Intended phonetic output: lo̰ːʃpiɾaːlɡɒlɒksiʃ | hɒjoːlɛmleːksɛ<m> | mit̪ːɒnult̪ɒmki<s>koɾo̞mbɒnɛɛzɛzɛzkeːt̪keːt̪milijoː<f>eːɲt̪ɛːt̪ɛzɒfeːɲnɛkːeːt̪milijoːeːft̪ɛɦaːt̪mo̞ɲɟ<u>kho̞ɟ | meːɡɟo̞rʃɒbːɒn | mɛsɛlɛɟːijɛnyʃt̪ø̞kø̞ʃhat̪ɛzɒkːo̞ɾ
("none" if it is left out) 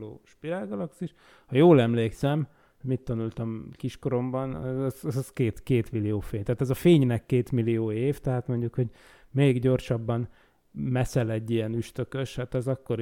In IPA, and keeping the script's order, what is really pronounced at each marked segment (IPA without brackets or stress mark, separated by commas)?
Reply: m, ʃ, f, u